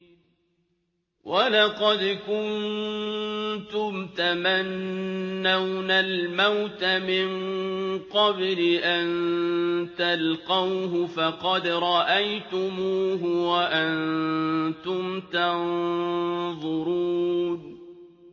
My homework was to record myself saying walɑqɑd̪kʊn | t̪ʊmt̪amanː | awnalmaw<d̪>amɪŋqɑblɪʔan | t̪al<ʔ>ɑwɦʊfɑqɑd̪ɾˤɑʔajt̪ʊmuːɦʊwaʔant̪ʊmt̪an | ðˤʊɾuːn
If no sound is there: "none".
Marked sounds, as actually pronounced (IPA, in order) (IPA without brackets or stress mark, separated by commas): t̪, q